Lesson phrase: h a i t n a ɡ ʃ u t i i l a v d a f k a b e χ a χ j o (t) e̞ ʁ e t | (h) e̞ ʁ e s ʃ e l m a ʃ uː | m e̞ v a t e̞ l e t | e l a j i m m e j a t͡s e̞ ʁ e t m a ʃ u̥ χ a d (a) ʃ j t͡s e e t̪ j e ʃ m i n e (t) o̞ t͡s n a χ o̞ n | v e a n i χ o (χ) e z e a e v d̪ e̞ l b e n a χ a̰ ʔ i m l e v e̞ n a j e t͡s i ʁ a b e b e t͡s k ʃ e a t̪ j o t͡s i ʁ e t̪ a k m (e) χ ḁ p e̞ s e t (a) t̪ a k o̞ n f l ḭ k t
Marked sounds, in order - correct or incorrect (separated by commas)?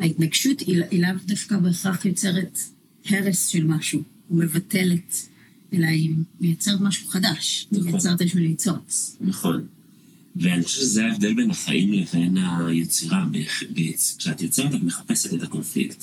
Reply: incorrect, correct, correct, incorrect, incorrect, correct, incorrect